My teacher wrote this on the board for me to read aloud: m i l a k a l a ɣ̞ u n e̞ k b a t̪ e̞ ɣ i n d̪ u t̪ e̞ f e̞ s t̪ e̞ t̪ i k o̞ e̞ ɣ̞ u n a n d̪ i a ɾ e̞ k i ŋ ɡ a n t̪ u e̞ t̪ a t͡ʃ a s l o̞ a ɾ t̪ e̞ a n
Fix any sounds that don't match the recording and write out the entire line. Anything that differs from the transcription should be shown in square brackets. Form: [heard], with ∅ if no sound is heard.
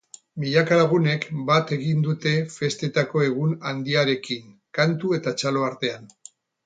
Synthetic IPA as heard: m i [ʎ] a k a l a ɣ̞ u n e̞ k b a t̪ e̞ ɣ i n d̪ u t̪ e̞ f e̞ s t̪ e̞ t̪ [a] k o̞ e̞ ɣ̞ u n a n d̪ i a ɾ e̞ k i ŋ [k] a n t̪ u e̞ t̪ a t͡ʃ a [∅] l o̞ a ɾ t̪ e̞ a n

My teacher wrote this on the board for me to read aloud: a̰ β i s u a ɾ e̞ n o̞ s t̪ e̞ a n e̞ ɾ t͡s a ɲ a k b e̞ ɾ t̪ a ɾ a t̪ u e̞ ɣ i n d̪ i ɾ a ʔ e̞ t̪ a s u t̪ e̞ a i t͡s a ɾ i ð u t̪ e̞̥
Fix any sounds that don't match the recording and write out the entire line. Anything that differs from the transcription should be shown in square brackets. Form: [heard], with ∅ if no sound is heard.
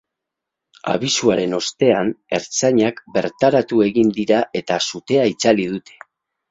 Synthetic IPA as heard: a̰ β i s u a ɾ e̞ n o̞ s t̪ e̞ a n e̞ ɾ t͡s a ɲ a k b e̞ ɾ t̪ a ɾ a t̪ u e̞ ɣ i n d̪ i ɾ a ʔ e̞ t̪ a s u t̪ e̞ a i t͡s a [l] i ð u t̪ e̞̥

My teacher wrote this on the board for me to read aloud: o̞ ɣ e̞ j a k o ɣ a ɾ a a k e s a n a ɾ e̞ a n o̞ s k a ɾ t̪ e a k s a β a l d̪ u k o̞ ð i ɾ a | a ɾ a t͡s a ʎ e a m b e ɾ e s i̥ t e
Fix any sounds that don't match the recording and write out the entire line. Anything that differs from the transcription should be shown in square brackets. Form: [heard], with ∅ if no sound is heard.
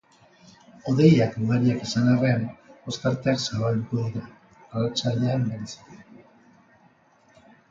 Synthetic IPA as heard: o̞ [ð] e̞ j a k [u] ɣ a ɾ [i] a k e s a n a [r] e̞ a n o̞ s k a ɾ t̪ e a k s a β a l d̪ u k o̞ ð i ɾ a | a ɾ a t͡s a ʎ e a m b e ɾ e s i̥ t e

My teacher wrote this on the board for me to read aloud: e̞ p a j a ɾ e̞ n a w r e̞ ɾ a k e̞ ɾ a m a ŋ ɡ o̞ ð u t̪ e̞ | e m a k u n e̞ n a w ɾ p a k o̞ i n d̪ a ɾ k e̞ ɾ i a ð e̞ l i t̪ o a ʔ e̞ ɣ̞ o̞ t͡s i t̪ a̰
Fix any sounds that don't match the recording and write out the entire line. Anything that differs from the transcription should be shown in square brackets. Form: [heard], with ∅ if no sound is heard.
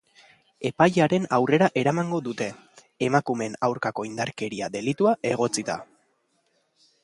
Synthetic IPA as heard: e̞ p a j a ɾ e̞ n a w r e̞ ɾ a [ʔ] e̞ ɾ a m a ŋ ɡ o̞ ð u t̪ e̞ | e m a k u [m] e̞ n a w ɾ [k] a k o̞ i n d̪ a ɾ k e̞ ɾ i a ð e̞ l i t̪ [u] a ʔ e̞ ɣ̞ o̞ t͡s i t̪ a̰

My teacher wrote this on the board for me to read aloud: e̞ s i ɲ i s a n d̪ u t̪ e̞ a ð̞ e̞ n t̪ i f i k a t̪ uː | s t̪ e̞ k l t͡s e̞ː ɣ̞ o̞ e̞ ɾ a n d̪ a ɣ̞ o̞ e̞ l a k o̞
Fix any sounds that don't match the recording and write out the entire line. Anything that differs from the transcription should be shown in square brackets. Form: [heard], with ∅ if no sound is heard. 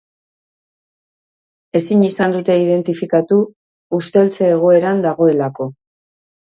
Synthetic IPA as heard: e̞ s i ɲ i s a n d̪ u t̪ e̞ [i] ð̞ e̞ n t̪ i f i k a t̪ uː | s t̪ e̞ [∅] l t͡s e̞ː ɣ̞ o̞ e̞ ɾ a n d̪ a ɣ̞ o̞ e̞ l a k o̞

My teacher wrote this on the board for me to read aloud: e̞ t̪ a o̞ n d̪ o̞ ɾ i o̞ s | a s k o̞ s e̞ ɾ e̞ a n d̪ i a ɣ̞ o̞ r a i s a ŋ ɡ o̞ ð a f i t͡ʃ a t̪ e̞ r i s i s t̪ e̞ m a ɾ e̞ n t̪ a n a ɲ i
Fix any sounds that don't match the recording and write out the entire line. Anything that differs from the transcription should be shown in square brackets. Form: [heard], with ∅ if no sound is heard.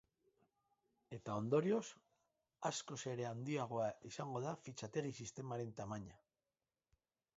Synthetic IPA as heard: e̞ t̪ a o̞ n d̪ o̞ ɾ i o̞ s | a s k o̞ s e̞ ɾ e̞ a n d̪ i a ɣ̞ o̞ [∅] a i s a ŋ ɡ o̞ ð a f i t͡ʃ a t̪ e̞ r i s i s t̪ e̞ m a ɾ e̞ n t̪ a [m] a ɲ [a]

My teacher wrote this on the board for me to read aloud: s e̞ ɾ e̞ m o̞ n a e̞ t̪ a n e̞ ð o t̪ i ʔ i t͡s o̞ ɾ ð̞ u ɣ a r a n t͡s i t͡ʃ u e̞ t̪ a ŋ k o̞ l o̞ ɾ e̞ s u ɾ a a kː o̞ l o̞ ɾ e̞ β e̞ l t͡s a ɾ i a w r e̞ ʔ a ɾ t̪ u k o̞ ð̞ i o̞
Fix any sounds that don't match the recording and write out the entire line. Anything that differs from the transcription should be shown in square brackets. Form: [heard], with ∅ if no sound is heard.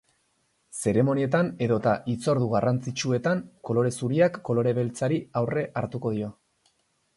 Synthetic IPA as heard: s e̞ ɾ e̞ m o̞ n [i] e̞ t̪ a n e̞ ð o t̪ [a] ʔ i t͡s o̞ ɾ ð̞ u ɣ a r a n t͡s i t͡ʃ u e̞ t̪ a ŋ k o̞ l o̞ ɾ e̞ s u ɾ [i] a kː o̞ l o̞ ɾ e̞ β e̞ l t͡s a ɾ i a w r e̞ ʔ a ɾ t̪ u k o̞ ð̞ i o̞

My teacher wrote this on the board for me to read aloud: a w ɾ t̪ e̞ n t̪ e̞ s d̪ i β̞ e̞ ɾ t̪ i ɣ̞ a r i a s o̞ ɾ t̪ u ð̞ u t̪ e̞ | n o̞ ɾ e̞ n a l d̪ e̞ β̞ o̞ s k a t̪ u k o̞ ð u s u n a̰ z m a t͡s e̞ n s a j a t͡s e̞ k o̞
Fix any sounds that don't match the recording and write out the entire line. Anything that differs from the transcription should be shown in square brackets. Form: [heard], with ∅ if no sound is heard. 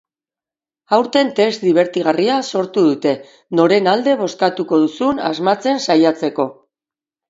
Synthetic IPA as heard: a w ɾ t̪ e̞ n t̪ e̞ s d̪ i β̞ e̞ ɾ t̪ i ɣ̞ a r i a s o̞ ɾ t̪ u ð̞ u t̪ e̞ | n o̞ ɾ e̞ n a l d̪ e̞ β̞ o̞ s k a t̪ u k o̞ ð u s u n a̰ z m a t͡s e̞ n s a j a t͡s e̞ k o̞

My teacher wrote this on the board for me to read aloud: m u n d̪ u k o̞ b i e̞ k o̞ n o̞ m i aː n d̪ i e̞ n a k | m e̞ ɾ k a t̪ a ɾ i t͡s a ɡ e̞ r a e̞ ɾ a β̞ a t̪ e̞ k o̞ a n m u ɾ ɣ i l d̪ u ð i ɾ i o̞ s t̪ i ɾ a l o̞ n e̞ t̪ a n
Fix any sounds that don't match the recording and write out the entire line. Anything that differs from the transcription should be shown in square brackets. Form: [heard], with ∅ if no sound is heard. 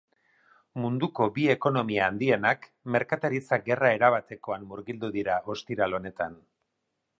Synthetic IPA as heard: m u n d̪ u k o̞ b i e̞ k o̞ n o̞ m i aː n d̪ i e̞ n a k | m e̞ ɾ k a t̪ a ɾ i t͡s a ɡ e̞ r a e̞ ɾ a β̞ a t̪ e̞ k o̞ a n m u ɾ ɣ i l d̪ u ð i ɾ [a] o̞ s t̪ i ɾ a l o̞ n e̞ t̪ a n

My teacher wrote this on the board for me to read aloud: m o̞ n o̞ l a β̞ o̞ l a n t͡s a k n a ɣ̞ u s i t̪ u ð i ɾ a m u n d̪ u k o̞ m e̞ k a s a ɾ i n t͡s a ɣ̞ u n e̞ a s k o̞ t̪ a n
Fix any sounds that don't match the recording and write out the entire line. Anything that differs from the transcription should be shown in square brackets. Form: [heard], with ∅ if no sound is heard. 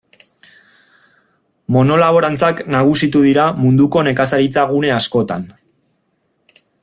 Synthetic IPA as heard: m o̞ n o̞ l a β̞ o̞ [ɾ] a n t͡s a k n a ɣ̞ u s i t̪ u ð i ɾ a m u n d̪ u k o̞ [n] e̞ k a s a ɾ i [∅] t͡s a ɣ̞ u n e̞ a s k o̞ t̪ a n

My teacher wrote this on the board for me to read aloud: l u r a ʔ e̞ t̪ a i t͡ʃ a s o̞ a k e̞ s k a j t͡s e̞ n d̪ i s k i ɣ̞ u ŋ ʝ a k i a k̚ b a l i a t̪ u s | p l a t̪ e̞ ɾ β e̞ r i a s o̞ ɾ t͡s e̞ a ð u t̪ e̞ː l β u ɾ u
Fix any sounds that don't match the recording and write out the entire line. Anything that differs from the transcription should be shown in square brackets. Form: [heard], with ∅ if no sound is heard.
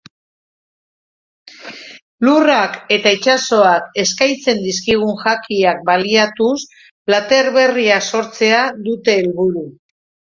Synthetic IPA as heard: l u r a [k] e̞ t̪ a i t͡ʃ a s o̞ a k e̞ s k a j t͡s e̞ n d̪ i s k i ɣ̞ u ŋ ʝ a k i a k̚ b a l i a t̪ u s | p l a t̪ e̞ ɾ β e̞ r i a s o̞ ɾ t͡s e̞ a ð u t̪ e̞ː l β u ɾ u

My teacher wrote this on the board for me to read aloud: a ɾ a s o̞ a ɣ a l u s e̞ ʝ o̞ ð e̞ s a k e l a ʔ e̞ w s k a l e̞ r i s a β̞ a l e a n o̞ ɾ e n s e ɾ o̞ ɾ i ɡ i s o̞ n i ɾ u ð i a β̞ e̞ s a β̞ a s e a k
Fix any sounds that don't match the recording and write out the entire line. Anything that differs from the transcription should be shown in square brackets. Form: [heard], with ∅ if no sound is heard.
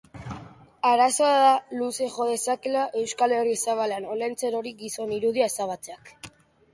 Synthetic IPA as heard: a ɾ a s o̞ a [ð] a l u s e̞ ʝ o̞ ð e̞ s a k e l a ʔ e̞ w s k a l e̞ r i s a β̞ a l e a n o̞ [l] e n [t͡s] e ɾ o̞ ɾ i ɡ i s o̞ n i ɾ u ð i a [∅] e̞ s a β̞ a [t͡s] e a k

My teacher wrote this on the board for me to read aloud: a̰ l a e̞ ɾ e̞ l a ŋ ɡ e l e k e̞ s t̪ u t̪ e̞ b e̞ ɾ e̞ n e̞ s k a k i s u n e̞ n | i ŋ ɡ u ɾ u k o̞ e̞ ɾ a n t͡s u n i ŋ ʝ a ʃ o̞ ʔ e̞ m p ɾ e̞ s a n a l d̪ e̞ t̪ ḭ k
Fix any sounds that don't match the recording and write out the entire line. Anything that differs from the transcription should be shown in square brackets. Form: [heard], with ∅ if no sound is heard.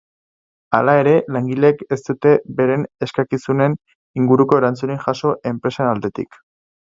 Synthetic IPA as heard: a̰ l a e̞ ɾ e̞ l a ŋ ɡ [i] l e k e̞ s t̪ u t̪ e̞ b e̞ ɾ e̞ n e̞ s k a k i s u n e̞ n | i ŋ ɡ u ɾ u k o̞ e̞ ɾ a n t͡s u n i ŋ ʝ a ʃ o̞ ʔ e̞ m p ɾ e̞ s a n a l d̪ e̞ t̪ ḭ k

